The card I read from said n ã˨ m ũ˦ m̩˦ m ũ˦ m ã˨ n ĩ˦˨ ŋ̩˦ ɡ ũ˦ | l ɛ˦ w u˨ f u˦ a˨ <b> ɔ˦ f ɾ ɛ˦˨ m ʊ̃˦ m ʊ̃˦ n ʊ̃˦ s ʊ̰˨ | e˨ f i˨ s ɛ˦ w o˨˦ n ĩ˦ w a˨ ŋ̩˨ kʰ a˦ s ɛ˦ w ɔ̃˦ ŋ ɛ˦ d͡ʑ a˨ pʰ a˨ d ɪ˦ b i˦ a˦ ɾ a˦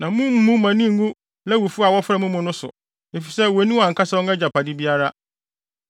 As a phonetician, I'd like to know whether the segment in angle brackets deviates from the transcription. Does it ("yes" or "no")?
yes